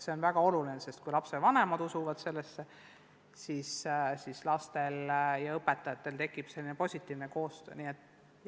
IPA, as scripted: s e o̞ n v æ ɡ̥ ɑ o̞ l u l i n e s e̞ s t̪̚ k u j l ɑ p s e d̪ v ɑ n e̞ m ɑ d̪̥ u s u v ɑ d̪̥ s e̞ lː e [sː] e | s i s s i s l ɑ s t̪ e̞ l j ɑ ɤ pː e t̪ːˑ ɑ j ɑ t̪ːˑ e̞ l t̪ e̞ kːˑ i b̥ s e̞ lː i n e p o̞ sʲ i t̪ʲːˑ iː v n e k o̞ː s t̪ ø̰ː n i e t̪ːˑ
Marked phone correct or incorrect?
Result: correct